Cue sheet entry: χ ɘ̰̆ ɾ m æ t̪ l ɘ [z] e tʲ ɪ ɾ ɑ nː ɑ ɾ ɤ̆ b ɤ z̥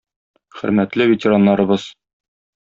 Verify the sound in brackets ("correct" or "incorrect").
incorrect